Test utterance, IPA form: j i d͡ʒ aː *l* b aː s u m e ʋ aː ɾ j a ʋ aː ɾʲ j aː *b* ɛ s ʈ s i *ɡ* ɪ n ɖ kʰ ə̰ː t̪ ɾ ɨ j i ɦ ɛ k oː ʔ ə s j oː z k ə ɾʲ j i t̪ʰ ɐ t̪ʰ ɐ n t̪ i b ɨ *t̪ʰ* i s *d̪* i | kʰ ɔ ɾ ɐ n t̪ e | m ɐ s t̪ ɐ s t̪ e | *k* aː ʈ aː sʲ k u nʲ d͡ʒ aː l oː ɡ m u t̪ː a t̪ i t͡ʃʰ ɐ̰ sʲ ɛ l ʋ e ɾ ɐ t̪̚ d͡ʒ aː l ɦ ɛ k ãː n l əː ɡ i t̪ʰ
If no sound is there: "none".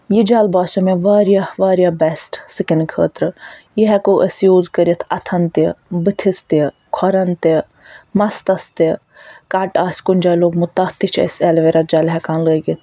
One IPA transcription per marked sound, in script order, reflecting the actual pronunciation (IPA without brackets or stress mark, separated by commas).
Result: l, b, k, t̪ʰ, t̪, k